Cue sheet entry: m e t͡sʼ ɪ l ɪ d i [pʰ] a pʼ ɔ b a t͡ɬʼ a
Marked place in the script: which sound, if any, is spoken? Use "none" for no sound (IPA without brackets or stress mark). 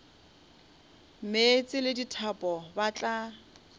tʰ